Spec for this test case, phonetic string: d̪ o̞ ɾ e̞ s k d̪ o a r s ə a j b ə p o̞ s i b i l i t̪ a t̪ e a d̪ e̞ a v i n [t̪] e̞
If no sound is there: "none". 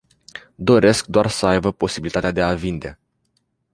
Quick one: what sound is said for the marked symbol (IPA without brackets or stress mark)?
d̪